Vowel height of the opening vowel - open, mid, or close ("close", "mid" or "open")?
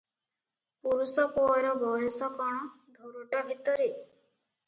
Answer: close